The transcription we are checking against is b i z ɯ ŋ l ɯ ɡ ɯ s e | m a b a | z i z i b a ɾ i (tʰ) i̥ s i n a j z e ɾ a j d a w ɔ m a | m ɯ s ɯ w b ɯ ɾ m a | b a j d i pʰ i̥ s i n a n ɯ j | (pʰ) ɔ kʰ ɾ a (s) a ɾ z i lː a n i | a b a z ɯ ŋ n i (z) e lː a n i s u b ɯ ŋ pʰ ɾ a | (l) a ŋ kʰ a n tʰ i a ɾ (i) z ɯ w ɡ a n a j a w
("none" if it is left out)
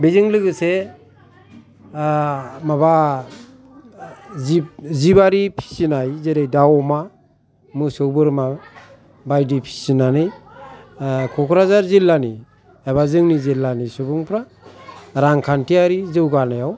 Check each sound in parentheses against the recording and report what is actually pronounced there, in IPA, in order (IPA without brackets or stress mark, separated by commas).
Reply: pʰ, kʰ, z, z, ɾ, i